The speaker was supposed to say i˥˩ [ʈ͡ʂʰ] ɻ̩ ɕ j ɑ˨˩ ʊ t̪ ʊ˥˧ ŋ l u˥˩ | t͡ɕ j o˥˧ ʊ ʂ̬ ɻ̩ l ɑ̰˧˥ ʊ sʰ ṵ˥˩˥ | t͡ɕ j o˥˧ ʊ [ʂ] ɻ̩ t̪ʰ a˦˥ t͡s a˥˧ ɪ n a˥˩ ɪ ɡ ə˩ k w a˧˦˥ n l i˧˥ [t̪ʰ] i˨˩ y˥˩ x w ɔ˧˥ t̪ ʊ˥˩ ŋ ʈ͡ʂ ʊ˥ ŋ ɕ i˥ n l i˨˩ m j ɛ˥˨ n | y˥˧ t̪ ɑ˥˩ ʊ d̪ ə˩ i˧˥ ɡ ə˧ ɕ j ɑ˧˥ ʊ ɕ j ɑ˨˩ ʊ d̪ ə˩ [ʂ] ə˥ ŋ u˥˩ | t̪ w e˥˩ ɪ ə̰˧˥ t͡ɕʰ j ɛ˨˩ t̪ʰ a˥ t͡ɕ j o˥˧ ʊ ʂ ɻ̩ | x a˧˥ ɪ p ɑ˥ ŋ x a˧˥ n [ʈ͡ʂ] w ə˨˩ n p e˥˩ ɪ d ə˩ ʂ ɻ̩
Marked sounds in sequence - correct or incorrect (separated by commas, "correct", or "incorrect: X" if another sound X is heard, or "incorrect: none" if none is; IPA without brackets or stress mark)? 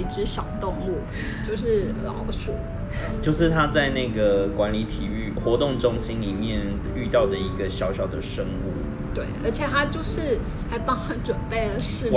incorrect: ʈ͡ʂ, correct, correct, correct, correct